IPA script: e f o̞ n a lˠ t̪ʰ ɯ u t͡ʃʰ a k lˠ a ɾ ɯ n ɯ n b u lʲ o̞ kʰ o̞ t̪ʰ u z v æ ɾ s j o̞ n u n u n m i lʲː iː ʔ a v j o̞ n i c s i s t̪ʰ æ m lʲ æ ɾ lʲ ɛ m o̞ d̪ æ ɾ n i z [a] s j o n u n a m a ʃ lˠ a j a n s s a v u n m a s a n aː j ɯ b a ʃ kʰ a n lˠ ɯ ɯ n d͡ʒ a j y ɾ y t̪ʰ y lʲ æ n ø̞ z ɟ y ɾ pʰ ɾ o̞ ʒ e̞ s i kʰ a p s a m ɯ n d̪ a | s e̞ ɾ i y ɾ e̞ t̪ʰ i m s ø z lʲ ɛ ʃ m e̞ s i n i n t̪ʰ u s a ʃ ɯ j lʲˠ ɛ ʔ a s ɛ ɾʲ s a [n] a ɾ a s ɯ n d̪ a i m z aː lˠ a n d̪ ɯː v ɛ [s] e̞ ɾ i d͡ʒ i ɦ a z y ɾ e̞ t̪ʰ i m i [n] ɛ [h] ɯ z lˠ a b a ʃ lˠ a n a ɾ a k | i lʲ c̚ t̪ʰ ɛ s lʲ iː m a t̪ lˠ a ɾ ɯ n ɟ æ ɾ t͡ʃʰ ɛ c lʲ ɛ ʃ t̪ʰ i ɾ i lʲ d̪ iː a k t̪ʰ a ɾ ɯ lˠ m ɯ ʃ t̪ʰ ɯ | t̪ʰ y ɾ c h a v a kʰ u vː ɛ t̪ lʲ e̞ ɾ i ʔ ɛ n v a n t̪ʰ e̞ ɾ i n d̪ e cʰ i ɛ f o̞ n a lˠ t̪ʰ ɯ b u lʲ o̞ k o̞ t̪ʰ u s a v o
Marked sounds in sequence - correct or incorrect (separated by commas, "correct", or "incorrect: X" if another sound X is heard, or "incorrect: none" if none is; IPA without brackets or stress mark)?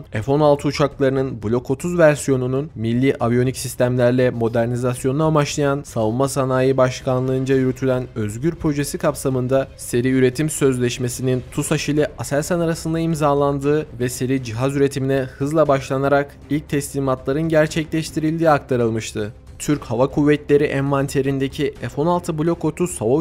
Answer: correct, correct, correct, correct, correct